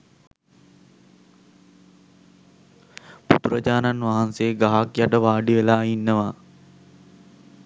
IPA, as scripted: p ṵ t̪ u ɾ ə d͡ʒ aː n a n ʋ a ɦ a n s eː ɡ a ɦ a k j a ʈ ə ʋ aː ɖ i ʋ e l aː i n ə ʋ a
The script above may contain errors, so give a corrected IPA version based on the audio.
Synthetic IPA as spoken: p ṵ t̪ u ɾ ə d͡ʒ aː n a n ʋ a ɦ a n s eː ɡ a ɦ a k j a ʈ ə ʋ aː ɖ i ʋ e l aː i nː ə ʋ a